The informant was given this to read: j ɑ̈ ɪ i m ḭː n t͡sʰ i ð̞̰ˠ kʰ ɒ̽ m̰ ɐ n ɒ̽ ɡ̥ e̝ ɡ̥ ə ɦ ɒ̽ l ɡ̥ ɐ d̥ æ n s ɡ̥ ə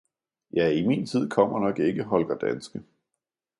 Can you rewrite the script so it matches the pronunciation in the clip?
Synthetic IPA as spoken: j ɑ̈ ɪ i m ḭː n t͡sʰ i ð̞̰ˠ kʰ ɒ̽ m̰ ɐ n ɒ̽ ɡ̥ e̝ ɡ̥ ə ɦ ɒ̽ l ɡ̥ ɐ d̥ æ n s ɡ̥ ə